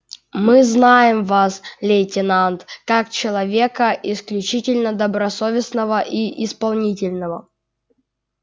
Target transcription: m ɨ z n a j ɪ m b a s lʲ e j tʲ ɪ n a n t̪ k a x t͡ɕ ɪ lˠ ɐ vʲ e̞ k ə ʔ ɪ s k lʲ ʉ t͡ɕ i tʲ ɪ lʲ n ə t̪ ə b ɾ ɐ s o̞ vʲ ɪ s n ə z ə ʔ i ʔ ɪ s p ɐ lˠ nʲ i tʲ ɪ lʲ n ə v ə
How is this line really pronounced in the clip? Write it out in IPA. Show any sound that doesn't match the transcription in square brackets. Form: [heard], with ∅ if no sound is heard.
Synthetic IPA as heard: m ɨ z n a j ɪ m [v] a s lʲ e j tʲ ɪ n a n t̪ k a [k] t͡ɕ ɪ lˠ ɐ vʲ e̞ k ə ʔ ɪ s k lʲ ʉ t͡ɕ i tʲ ɪ lʲ n ə [d̪] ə b ɾ ɐ s o̞ vʲ ɪ s n ə [v] ə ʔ i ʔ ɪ s p ɐ lˠ nʲ i tʲ ɪ lʲ n ə v ə